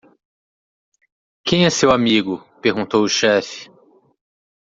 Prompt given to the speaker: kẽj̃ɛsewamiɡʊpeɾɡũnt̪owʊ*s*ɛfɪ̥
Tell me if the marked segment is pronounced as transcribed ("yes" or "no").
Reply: no